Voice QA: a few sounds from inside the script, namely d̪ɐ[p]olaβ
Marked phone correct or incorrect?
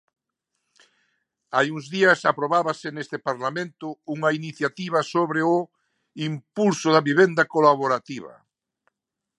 incorrect